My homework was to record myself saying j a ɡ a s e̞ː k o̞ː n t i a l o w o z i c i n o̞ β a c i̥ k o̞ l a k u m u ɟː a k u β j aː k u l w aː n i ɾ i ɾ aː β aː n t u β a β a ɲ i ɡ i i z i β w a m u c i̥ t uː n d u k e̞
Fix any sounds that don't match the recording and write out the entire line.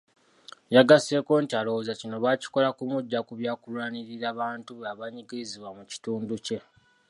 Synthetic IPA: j a ɡ a s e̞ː k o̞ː n t i a l o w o z a c i n o̞ β a c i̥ k o̞ l a k u m u ɟː a k u β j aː k u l w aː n i ɾ i ɾ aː β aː n t u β a β a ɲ i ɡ i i z i β w a m u c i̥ t uː n d u c e̞